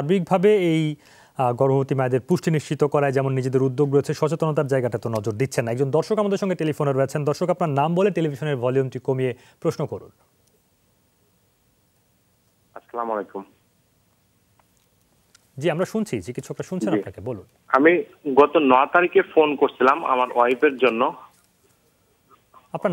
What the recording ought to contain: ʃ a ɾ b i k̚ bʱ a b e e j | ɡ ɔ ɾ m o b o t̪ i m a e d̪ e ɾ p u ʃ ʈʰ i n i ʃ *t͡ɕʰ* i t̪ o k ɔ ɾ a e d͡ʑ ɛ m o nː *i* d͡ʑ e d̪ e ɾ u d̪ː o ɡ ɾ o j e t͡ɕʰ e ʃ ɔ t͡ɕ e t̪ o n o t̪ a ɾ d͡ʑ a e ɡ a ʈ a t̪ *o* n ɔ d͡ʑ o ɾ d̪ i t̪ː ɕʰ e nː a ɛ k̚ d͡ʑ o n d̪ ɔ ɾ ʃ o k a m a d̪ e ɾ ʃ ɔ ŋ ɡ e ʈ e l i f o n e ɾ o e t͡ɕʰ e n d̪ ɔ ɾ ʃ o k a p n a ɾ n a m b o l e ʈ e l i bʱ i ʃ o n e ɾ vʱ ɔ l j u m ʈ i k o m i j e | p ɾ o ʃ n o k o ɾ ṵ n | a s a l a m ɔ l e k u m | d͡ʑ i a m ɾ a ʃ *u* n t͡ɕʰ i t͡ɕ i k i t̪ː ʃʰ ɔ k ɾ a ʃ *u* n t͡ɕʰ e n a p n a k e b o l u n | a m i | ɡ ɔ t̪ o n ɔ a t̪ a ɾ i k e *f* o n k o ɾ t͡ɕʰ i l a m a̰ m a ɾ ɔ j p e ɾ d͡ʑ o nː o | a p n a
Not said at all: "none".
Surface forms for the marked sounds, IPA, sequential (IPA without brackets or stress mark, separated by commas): t͡ɕ, i, o, u, u, f